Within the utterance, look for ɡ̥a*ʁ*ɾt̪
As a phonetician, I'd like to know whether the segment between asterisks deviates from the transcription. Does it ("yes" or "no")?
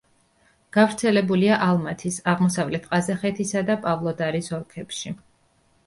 yes